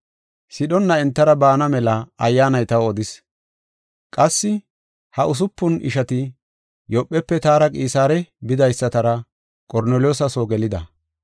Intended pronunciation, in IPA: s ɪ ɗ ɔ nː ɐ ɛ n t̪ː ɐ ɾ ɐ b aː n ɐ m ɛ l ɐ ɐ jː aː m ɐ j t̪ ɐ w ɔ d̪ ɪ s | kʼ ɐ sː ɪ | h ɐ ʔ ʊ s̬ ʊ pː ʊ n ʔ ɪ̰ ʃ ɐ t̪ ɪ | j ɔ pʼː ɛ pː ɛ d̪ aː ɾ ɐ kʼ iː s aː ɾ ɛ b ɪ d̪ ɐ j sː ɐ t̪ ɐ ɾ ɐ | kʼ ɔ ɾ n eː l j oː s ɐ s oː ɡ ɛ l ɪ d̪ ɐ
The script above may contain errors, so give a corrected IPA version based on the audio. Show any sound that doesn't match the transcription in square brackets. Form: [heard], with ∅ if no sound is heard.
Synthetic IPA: s ɪ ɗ ɔ nː ɐ ɛ n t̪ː ɐ ɾ ɐ b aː n ɐ m ɛ l ɐ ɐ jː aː [n] ɐ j t̪ ɐ w ɔ d̪ ɪ s | kʼ ɐ sː ɪ | h ɐ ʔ ʊ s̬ ʊ pː ʊ n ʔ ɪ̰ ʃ ɐ t̪ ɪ | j ɔ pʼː ɛ pː ɛ [t̪] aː ɾ ɐ kʼ iː s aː ɾ ɛ b ɪ d̪ ɐ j sː ɐ t̪ ɐ ɾ ɐ | kʼ ɔ ɾ n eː l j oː s ɐ s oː ɡ ɛ l ɪ d̪ ɐ